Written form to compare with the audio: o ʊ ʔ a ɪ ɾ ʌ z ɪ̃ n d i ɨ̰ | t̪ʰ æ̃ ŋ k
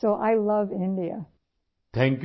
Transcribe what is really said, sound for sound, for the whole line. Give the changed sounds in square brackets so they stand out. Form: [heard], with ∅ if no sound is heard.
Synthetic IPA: o ʊ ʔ a ɪ [l] ʌ [v] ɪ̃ n d i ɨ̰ | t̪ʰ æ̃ ŋ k